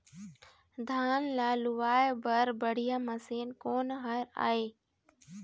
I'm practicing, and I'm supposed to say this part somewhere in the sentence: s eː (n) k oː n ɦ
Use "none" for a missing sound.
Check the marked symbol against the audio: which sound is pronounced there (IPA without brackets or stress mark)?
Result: n